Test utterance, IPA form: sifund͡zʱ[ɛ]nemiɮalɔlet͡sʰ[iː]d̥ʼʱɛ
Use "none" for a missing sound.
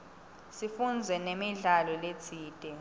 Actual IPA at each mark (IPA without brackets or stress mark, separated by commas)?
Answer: ɛ, iː